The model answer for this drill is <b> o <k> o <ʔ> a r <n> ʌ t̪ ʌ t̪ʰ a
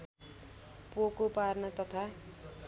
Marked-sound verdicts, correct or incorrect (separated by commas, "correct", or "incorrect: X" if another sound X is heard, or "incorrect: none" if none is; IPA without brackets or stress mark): incorrect: p, correct, incorrect: p, correct